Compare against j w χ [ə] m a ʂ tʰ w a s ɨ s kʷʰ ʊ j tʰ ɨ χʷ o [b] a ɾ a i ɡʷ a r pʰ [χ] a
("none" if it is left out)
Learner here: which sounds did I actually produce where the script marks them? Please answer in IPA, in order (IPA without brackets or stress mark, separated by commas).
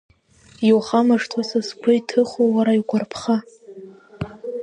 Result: a, w, χ